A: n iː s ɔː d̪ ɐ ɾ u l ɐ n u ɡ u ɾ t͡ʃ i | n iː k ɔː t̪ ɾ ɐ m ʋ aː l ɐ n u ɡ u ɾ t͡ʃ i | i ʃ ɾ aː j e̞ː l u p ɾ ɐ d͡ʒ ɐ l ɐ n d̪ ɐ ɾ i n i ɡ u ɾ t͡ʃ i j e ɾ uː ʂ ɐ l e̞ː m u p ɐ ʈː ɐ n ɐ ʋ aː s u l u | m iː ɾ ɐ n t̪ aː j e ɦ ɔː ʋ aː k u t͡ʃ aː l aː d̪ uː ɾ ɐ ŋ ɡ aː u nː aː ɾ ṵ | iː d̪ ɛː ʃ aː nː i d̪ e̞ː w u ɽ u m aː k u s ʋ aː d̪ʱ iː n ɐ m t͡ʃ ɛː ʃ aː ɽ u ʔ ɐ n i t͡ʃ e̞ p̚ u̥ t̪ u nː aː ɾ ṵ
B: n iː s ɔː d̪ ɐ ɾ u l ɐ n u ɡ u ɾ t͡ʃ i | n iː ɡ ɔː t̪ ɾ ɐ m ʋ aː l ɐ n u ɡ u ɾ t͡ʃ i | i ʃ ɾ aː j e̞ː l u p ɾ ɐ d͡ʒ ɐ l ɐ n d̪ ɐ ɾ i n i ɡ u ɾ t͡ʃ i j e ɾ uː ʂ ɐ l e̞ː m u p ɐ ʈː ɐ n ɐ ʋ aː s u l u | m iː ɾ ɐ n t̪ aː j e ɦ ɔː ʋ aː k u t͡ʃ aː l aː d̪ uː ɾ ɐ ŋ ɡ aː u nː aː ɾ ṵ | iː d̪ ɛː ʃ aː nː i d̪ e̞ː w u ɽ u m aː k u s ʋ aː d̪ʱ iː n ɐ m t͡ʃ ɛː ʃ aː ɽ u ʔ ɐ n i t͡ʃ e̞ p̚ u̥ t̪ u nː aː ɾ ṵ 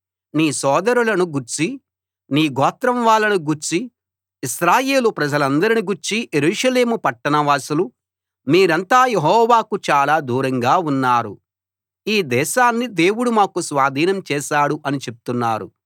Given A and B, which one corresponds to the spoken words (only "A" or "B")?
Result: B